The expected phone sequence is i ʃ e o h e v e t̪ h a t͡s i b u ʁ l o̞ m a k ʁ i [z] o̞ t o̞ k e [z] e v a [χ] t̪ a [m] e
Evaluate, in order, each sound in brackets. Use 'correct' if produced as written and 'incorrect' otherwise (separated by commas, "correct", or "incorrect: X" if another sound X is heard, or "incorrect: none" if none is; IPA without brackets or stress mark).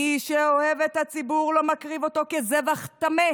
incorrect: v, correct, correct, correct